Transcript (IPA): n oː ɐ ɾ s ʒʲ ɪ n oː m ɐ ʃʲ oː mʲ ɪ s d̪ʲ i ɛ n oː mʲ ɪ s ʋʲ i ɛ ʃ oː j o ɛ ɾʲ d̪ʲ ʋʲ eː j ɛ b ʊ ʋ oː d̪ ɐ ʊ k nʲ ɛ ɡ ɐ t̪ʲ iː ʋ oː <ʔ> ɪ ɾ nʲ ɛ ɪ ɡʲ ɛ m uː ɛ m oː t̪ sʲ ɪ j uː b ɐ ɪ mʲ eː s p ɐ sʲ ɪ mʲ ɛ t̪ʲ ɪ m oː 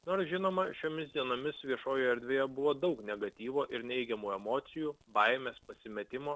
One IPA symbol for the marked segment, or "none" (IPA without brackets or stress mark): ʔ